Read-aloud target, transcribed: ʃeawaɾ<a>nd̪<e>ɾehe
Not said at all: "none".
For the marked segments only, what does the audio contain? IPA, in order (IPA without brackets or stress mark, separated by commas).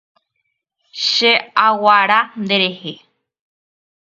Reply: a, e